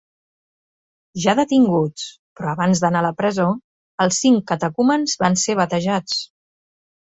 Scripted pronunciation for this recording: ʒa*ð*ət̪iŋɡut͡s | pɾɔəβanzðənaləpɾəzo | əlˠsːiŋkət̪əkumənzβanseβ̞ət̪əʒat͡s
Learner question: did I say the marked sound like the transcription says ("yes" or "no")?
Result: yes